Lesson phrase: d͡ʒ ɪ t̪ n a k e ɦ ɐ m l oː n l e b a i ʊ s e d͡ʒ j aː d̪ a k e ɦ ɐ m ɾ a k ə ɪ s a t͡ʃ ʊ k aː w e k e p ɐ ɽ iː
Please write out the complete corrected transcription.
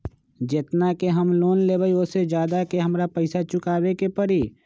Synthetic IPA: d͡ʒ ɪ t̪ n a k e ɦ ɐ m l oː n l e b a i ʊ s e d͡ʒ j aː d̪ a k e ɦ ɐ m ɾ a p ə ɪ s a t͡ʃ ʊ k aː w e k e p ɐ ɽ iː